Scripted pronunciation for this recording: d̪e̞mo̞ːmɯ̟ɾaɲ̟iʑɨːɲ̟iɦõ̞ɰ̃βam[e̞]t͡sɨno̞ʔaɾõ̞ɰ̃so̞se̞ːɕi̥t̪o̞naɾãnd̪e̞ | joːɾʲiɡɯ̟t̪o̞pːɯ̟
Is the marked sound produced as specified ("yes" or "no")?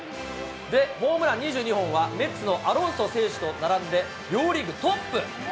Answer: yes